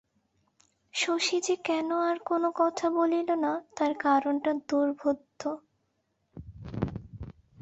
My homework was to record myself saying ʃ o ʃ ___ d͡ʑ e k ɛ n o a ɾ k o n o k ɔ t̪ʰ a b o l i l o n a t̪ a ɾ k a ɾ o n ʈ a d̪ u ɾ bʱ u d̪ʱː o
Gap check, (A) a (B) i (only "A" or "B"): B